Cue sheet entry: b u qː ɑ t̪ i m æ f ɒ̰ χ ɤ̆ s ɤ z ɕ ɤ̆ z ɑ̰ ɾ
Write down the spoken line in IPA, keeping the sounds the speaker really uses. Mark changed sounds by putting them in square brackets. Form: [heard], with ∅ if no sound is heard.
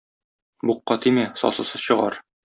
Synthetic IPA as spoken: b u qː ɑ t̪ i m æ [s] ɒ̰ [s] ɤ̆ s ɤ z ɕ ɤ̆ [ʁ] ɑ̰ ɾ